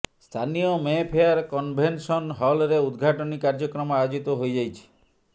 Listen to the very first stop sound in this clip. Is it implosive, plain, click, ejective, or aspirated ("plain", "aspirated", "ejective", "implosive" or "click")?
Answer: aspirated